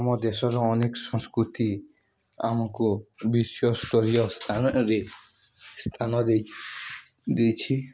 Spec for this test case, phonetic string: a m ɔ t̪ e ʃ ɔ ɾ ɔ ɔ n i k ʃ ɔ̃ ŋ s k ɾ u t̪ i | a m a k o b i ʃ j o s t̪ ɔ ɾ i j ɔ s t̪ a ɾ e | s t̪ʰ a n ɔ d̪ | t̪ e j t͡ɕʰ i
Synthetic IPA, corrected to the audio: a m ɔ d̪ e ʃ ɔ ɾ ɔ ɔ n e k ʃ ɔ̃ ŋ s k ɾ u t̪ i | a m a k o b i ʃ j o s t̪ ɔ ɾ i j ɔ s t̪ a ɾ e | s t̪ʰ a n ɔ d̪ | d̪ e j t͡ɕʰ i